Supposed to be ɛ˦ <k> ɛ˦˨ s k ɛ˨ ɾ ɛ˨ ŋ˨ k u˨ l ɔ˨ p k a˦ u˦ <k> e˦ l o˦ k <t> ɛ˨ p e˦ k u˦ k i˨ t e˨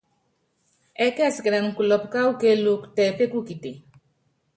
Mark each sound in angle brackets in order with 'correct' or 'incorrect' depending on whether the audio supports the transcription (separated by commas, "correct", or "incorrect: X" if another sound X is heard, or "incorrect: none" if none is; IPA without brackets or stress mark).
correct, correct, correct